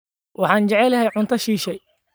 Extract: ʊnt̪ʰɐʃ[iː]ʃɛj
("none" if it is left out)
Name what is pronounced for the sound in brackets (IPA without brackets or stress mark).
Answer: iː